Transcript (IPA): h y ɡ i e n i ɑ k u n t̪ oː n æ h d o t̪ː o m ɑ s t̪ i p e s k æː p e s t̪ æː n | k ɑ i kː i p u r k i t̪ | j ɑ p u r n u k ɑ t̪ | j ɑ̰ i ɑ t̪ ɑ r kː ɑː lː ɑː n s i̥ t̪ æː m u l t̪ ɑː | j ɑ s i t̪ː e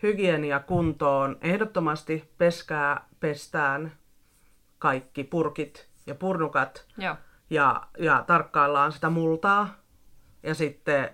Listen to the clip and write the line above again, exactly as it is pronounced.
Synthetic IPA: h y ɡ i e n i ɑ k u n t̪ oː n e h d o t̪ː o m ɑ s t̪ i p e s k æː p e s t̪ æː n | k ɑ i kː i p u r k i t̪ | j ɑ p u r n u k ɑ t̪ | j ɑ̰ j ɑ t̪ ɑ r kː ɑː lː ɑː n s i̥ t̪ æ m u l t̪ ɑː | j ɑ s i t̪ː e